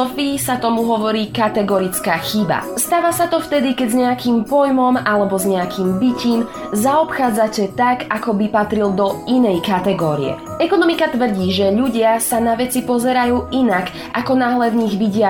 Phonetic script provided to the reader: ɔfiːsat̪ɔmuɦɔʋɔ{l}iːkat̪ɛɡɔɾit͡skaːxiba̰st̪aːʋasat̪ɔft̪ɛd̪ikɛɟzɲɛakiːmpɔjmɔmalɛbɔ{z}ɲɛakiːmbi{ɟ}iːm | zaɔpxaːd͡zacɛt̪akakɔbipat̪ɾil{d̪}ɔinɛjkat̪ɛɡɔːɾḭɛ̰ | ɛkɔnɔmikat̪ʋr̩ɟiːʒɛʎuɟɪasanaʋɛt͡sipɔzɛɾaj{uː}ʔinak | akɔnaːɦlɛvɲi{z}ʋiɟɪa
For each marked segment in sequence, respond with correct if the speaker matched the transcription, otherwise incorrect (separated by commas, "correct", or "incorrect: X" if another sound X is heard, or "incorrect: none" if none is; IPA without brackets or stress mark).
incorrect: ɾ, correct, incorrect: c, correct, correct, incorrect: ɣ